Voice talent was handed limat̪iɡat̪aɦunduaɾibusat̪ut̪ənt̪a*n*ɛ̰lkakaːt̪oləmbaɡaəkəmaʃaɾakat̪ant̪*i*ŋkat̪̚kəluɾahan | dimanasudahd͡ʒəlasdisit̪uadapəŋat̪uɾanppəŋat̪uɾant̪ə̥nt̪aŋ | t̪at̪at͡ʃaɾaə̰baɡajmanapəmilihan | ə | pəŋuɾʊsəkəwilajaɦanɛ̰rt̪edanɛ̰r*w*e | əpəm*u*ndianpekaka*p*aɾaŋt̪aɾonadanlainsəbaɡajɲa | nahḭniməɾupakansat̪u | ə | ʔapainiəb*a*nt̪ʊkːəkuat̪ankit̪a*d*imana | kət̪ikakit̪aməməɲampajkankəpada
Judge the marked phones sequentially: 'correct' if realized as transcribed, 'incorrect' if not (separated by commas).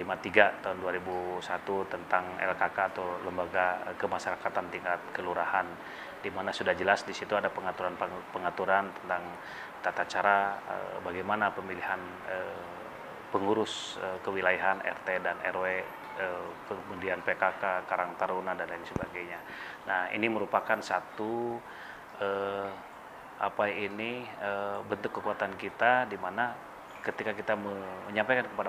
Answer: incorrect, correct, correct, correct, incorrect, incorrect, correct